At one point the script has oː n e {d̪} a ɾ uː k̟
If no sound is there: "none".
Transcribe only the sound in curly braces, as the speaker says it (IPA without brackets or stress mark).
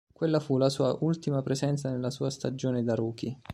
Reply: d̪